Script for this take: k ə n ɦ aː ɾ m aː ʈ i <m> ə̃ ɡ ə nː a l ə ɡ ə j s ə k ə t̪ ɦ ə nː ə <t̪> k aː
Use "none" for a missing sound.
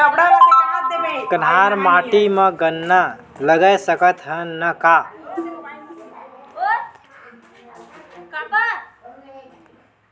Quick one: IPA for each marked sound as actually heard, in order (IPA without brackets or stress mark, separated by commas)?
m, none